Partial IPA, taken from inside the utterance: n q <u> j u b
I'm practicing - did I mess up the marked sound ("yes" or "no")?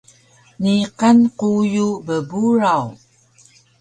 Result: no